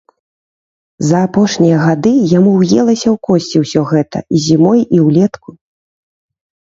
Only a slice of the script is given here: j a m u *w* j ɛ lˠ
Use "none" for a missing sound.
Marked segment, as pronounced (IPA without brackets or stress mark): w